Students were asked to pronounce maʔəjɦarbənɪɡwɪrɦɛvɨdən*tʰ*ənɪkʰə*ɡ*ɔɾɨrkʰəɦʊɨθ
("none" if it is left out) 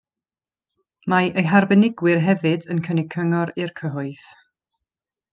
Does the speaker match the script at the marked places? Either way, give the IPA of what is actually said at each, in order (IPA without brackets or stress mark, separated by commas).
kʰ, ŋ